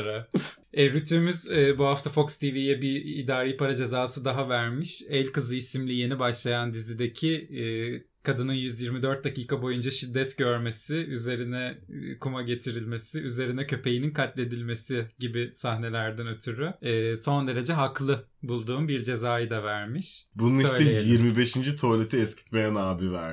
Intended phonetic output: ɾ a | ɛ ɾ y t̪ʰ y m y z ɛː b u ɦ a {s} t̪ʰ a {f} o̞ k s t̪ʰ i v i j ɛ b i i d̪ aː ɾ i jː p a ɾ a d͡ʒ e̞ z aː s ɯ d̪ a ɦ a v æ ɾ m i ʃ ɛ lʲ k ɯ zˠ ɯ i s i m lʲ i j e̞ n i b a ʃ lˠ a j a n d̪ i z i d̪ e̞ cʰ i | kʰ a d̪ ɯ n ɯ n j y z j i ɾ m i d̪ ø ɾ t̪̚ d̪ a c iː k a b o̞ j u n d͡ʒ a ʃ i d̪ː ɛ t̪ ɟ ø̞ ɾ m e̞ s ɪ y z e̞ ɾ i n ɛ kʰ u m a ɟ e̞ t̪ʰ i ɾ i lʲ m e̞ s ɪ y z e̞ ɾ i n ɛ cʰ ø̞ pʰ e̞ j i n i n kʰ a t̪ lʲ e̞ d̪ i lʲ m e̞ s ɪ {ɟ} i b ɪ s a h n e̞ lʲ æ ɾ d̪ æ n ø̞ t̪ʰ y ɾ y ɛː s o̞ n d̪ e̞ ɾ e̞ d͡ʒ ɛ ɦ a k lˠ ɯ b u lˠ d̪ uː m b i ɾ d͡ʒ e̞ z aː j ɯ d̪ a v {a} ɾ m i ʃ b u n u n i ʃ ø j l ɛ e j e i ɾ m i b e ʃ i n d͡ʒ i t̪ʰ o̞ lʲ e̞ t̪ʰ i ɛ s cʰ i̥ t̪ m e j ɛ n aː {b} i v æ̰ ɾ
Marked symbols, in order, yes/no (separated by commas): no, yes, yes, no, yes